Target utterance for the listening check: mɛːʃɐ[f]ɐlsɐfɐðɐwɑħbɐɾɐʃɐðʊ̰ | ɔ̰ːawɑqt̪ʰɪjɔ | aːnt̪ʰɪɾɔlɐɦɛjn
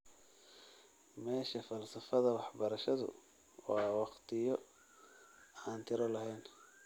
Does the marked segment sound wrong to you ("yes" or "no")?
no